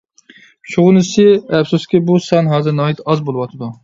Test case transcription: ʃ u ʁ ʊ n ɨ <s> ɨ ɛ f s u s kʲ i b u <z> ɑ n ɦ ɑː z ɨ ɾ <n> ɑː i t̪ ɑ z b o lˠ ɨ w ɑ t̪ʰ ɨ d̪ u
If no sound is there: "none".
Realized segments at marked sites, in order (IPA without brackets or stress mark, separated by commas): s, s, n